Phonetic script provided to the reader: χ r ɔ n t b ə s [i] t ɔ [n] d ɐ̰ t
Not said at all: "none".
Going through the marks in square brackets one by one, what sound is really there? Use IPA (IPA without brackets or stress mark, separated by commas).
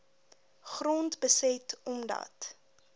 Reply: ɛ, m